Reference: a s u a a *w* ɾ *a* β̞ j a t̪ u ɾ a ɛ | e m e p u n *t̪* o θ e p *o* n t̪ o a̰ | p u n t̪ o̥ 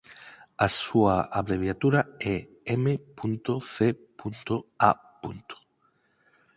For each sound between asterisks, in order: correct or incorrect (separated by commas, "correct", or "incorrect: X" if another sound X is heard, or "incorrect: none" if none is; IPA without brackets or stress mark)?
incorrect: β, incorrect: e, correct, incorrect: u